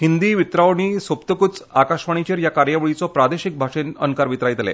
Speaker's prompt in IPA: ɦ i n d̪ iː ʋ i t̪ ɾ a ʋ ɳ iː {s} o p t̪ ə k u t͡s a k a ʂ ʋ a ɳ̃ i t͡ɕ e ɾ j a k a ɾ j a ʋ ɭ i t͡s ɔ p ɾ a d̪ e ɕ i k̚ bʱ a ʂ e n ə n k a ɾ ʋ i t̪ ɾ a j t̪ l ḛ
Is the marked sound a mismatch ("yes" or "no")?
no